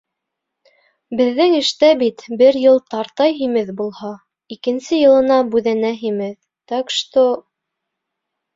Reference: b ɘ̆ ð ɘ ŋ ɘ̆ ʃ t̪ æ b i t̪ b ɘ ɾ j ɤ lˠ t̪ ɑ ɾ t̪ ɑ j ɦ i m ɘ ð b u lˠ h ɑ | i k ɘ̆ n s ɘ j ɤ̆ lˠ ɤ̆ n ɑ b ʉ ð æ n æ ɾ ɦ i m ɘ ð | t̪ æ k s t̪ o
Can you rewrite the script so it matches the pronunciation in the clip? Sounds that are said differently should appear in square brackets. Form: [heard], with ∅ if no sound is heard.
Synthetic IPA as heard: b ɘ̆ [ðː] ɘ ŋ ɘ̆ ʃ t̪ æ b i t̪ b ɘ ɾ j ɤ lˠ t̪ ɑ ɾ t̪ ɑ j ɦ i m ɘ ð b u lˠ h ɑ | i k ɘ̆ n s ɘ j ɤ̆ lˠ ɤ̆ n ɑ b ʉ ð æ n æ [∅] ɦ i m ɘ ð | t̪ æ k [ʃ] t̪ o